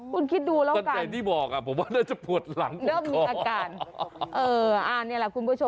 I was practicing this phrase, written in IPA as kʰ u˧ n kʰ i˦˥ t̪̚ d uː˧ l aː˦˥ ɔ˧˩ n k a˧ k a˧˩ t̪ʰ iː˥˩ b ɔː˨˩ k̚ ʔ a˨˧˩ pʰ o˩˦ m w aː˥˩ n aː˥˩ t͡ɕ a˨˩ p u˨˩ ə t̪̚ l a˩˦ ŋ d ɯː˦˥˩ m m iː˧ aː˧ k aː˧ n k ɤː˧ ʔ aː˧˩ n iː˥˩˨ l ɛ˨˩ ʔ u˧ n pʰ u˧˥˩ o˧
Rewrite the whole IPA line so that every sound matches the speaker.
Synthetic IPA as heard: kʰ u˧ n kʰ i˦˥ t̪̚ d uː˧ l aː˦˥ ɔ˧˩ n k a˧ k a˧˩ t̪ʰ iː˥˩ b ɔː˨˩ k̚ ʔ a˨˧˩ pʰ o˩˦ m w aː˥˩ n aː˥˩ t͡ɕ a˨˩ p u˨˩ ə t̪̚ l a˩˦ ŋ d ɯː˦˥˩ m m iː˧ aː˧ k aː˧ n ʔ ɤː˧ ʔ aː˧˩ n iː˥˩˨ l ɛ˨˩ k u˧ n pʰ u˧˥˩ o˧